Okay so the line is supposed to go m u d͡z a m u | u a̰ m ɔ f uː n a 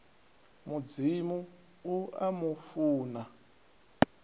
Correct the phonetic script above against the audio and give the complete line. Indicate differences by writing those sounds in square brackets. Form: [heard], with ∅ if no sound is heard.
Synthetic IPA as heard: m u d͡z [i] m u | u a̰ m [u] f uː n a